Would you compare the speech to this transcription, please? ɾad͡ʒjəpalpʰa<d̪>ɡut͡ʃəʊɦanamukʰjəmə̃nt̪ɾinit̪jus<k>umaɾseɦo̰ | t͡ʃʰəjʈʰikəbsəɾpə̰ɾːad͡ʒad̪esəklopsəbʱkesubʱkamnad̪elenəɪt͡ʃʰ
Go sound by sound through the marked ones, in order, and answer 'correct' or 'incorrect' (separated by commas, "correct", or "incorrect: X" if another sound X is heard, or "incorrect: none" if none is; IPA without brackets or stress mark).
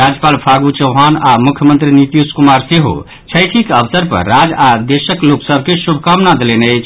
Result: incorrect: none, correct